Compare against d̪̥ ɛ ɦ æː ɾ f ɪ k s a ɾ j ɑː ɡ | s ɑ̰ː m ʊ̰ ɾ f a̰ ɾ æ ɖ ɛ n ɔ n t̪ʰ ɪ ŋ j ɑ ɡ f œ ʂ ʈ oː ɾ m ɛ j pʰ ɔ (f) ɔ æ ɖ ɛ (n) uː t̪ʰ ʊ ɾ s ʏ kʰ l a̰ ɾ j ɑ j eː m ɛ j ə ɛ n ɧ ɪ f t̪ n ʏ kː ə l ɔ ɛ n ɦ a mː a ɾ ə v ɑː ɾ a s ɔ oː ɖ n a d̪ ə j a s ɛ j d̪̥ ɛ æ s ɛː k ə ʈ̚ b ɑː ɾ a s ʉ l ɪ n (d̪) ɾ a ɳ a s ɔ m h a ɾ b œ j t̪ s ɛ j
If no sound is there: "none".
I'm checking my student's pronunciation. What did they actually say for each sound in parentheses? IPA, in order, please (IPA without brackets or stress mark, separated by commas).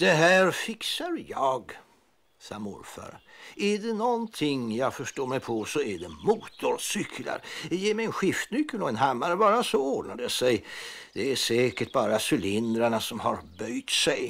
s, m, d̪